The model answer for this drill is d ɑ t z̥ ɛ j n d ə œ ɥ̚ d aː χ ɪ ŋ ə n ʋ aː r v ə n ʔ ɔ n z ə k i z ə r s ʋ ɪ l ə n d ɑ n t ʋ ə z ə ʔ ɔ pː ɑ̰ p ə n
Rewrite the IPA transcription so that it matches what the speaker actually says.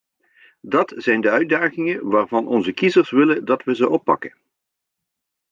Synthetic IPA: d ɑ t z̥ ɛ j n d ə œ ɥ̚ d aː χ ɪ ŋ ə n ʋ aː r v ɑ n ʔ ɔ n z ə k i z ə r s ʋ ɪ l ə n d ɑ t ʋ ə z ə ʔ ɔ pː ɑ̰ k ə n